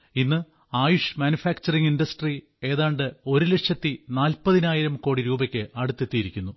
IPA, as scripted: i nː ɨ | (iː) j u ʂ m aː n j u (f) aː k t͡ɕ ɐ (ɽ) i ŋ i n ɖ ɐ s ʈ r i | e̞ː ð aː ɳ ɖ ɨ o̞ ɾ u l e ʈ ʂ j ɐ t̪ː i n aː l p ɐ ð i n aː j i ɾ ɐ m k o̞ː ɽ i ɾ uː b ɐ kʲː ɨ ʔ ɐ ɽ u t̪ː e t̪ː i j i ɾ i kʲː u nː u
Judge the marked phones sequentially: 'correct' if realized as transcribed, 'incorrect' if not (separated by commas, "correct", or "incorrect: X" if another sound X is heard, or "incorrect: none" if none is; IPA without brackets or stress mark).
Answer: incorrect: aː, correct, incorrect: r